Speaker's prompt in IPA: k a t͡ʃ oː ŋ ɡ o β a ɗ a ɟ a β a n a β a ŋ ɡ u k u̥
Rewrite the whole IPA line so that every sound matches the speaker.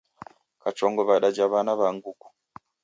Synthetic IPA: k a t͡ʃ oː ŋ ɡ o β a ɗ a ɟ a β a n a β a ŋ ɡ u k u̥